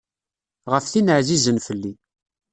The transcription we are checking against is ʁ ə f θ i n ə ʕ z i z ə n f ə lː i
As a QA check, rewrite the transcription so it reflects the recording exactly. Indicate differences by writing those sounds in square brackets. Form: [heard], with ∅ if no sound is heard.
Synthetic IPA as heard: ʁ ə f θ i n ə ʕ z i z ə n f ə lː i